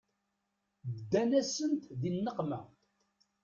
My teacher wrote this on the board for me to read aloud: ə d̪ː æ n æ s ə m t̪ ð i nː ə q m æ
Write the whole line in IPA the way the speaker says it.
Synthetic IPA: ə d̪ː æ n æ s ə n t̪ ð i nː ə q m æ